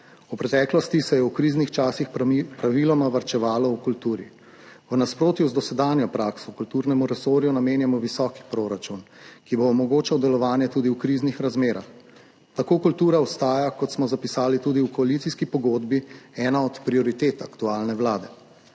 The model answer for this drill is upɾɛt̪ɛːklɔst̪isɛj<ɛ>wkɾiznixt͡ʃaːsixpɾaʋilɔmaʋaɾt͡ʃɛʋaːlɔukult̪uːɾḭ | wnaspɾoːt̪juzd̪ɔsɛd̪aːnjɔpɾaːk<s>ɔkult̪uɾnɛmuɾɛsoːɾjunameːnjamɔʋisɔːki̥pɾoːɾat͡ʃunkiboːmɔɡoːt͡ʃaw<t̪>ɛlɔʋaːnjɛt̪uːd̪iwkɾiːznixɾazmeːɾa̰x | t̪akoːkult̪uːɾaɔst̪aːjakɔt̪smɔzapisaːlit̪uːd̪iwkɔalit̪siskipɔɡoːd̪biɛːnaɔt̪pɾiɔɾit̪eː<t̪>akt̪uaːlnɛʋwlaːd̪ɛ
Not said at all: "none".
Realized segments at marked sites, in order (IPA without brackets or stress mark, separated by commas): ɛ, s, d̪, t̪